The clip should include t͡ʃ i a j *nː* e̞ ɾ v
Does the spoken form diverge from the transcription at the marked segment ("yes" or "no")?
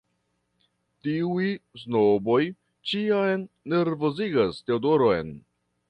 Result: no